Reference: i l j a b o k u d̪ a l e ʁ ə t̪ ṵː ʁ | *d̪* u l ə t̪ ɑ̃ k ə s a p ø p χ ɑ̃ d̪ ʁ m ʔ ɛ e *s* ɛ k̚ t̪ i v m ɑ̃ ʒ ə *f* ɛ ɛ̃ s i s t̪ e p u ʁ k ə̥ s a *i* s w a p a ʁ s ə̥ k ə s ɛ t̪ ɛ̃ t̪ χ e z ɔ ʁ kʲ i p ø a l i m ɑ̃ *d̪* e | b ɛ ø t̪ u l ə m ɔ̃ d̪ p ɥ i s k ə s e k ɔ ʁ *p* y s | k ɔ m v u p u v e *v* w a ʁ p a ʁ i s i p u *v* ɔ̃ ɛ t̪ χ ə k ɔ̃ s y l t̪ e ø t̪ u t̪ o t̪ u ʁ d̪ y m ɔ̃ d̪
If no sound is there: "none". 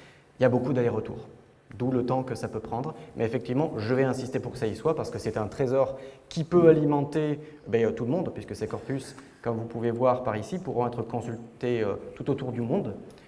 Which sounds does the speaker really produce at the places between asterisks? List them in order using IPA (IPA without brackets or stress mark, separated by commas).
d̪, f, v, i, t̪, p, v, ʁ